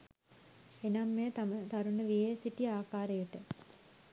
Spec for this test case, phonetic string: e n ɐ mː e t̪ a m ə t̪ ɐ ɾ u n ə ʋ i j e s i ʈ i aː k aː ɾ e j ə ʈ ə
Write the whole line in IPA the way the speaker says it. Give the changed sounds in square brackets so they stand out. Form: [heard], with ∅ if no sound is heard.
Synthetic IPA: e n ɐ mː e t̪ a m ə t̪ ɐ ɾ u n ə ʋ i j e s i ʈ i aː k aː ɾ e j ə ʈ ə

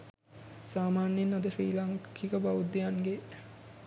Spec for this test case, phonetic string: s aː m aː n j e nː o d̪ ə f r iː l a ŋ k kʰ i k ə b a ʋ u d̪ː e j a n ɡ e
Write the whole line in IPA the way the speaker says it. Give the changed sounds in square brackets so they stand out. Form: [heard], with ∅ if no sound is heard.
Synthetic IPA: s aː m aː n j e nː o d̪ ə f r iː l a ŋ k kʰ i k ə b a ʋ u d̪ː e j a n ɡ e

